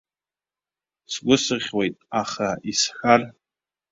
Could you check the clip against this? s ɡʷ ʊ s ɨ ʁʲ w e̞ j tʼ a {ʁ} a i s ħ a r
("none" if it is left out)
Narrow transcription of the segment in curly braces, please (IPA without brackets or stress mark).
χ